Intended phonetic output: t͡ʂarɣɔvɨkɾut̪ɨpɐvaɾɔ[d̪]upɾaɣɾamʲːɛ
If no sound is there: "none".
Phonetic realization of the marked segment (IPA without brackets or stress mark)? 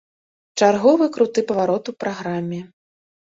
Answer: t̪